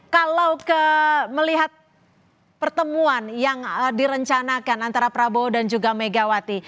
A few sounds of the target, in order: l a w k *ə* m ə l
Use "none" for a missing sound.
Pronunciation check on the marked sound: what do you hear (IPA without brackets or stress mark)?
ə